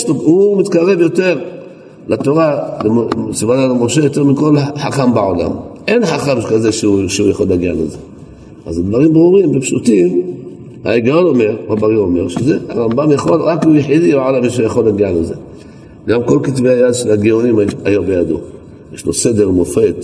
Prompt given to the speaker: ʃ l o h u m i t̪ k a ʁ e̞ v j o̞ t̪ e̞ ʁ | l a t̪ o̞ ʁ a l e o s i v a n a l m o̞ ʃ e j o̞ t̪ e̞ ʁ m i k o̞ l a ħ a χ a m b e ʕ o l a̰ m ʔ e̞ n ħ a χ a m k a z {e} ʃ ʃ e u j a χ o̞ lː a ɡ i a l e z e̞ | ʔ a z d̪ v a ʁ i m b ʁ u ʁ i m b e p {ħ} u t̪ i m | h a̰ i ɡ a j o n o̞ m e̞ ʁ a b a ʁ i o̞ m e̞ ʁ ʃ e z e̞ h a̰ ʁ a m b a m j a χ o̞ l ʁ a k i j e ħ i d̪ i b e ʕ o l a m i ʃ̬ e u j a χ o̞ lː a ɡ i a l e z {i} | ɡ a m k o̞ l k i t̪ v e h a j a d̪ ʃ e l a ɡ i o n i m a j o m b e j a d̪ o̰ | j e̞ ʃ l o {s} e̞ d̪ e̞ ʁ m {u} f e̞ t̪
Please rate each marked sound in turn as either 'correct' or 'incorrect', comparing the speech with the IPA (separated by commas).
correct, incorrect, incorrect, correct, incorrect